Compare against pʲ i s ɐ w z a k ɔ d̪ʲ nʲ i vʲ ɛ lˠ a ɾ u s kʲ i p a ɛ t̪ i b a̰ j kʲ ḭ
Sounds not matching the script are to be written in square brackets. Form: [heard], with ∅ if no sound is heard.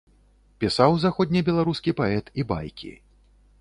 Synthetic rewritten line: pʲ i s [a] w z a [x] ɔ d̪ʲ nʲ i [bʲ] ɛ lˠ a ɾ u s kʲ i p a ɛ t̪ i b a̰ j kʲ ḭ